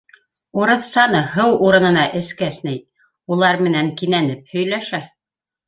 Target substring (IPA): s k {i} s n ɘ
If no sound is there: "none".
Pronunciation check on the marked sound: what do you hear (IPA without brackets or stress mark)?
æ